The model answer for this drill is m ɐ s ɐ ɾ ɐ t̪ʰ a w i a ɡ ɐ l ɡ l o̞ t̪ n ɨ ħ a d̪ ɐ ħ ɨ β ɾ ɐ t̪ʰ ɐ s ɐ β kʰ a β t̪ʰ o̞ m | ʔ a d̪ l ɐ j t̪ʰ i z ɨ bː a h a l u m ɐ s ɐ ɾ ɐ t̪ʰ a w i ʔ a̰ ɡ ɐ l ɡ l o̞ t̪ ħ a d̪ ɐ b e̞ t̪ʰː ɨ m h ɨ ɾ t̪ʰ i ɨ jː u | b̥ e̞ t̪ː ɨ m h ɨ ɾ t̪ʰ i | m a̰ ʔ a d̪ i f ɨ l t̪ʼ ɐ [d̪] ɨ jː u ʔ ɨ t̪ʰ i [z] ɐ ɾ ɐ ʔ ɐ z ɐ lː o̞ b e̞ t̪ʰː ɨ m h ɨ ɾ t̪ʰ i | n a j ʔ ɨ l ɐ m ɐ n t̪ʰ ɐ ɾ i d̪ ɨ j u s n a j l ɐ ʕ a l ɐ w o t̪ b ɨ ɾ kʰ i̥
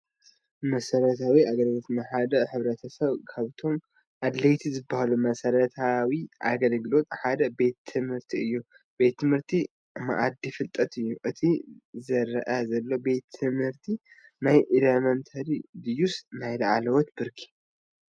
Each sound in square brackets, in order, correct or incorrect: incorrect: t̪, correct

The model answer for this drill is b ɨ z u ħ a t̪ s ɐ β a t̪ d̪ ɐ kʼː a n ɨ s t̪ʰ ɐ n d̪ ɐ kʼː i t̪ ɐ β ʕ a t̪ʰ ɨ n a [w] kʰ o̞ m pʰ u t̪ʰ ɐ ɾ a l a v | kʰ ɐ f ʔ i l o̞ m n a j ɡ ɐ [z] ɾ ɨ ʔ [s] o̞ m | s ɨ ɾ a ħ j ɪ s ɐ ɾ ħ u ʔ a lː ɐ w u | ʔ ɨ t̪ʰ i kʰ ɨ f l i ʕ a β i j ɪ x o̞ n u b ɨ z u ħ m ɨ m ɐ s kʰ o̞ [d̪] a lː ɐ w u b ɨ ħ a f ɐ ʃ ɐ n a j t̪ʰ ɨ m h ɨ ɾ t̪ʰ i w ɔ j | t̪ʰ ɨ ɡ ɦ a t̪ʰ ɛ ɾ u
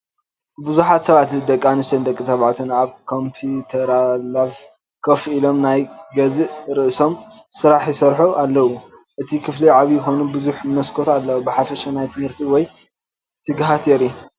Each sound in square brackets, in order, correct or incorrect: incorrect: β, correct, correct, incorrect: t̪

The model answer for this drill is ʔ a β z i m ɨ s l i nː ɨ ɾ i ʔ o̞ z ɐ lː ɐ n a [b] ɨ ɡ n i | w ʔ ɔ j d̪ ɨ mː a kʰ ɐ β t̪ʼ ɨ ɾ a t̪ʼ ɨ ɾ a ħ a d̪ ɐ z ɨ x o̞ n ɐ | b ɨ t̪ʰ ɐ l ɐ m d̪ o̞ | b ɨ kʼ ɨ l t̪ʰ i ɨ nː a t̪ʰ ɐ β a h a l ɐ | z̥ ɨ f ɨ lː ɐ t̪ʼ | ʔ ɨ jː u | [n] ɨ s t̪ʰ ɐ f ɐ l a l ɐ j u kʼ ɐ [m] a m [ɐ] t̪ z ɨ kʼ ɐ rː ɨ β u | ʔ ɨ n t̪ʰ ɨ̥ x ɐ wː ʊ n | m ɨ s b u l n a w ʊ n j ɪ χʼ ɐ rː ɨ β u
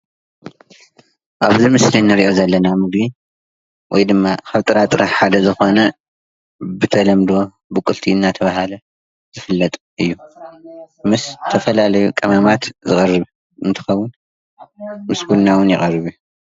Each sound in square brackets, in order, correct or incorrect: incorrect: m, incorrect: m, correct, incorrect: a

